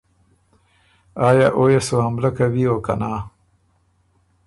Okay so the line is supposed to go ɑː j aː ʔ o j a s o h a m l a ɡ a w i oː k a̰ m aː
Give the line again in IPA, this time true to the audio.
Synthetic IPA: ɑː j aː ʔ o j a s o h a m l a k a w i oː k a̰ n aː